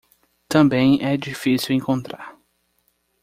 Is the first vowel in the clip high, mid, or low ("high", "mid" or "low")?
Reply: low